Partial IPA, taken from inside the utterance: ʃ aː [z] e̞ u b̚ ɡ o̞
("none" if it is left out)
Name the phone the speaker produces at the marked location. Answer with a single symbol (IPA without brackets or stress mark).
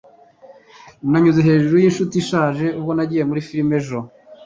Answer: ʒ